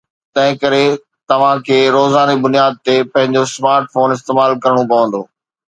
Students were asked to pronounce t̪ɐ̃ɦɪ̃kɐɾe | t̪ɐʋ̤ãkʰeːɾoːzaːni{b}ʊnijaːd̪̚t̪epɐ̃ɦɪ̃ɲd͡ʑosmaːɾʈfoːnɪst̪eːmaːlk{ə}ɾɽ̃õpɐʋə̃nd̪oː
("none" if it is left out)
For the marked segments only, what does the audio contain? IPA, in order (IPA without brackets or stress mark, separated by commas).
b, ɐ